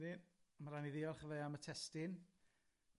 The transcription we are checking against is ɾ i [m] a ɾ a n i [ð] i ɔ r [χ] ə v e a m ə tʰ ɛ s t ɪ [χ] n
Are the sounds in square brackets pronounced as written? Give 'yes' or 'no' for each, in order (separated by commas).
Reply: yes, yes, yes, no